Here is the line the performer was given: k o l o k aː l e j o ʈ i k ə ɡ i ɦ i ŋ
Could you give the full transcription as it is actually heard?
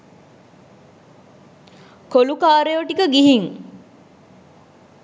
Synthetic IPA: k o l u k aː ɾ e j o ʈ i k ə ɡ i ɦ i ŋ

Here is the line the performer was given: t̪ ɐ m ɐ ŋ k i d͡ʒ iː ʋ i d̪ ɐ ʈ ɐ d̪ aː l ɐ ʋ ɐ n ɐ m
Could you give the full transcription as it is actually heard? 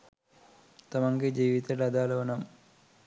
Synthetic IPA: t̪ ɐ m ɐ ŋ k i d͡ʒ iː ʋ i t̪ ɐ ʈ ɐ d̪ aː l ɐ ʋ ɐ n ɐ m

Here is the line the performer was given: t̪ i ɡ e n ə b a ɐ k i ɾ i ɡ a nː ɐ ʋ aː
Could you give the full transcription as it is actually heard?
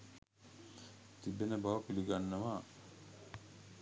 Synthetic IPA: t̪ i b e n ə b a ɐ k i l i ɡ a nː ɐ ʋ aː

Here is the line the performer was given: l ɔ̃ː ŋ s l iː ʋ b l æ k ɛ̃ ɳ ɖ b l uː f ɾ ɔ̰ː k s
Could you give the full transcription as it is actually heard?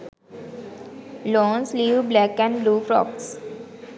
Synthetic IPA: l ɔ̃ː n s l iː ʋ b l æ k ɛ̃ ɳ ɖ b l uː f ɾ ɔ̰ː k s

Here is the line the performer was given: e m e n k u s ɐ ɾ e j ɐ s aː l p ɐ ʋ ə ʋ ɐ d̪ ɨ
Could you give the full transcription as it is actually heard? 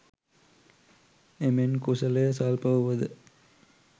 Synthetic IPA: e m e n k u s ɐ l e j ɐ s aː l p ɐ ʋ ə ʋ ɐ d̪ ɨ

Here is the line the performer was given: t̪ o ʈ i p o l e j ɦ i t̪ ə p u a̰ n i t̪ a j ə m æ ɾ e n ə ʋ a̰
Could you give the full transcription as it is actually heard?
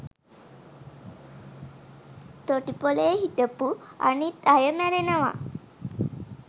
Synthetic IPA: t̪ o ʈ i p o l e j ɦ i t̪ ə p u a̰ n i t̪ a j ə m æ ɾ e n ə ʋ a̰

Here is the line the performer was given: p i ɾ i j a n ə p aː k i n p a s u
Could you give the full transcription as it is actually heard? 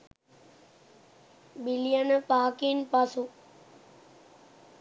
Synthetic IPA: b i l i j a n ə p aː k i n p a s u

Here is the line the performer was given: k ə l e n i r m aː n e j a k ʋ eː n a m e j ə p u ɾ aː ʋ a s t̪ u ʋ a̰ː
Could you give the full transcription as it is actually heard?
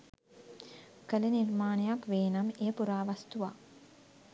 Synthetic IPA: k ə l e n i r m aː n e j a k ʋ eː n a m e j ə p u ɾ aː ʋ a s t̪ u ʋ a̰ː

